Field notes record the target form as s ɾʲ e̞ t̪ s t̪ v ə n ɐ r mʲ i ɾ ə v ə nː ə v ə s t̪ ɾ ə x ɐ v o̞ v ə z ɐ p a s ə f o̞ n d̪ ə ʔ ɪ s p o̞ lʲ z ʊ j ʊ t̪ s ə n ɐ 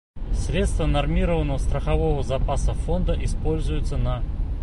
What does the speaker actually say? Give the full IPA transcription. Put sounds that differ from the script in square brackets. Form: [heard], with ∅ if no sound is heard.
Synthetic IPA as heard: s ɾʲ e̞ t̪ s t̪ v ə n ɐ r mʲ i ɾ ə v ə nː ə v ə s t̪ ɾ ə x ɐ v o̞ v ə z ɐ p a s ə f o̞ n d̪ ə ʔ ɪ s p o̞ lʲ z ʊ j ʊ t̪ s ə n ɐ